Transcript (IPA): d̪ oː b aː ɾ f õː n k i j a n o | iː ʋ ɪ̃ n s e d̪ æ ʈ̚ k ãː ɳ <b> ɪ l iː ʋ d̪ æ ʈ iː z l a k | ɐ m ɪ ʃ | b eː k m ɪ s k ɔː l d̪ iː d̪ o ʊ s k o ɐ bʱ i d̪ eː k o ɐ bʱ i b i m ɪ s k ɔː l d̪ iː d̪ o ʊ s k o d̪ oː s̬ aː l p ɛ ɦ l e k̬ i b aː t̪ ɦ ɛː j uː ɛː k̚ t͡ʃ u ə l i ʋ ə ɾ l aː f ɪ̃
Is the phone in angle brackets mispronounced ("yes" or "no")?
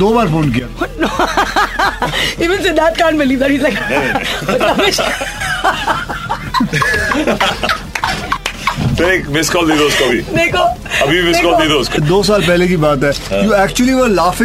no